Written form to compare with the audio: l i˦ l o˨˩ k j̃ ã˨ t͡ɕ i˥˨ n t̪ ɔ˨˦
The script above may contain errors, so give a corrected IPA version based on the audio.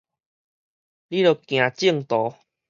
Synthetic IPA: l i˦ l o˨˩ k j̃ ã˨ t͡ɕ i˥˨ ŋ t̪ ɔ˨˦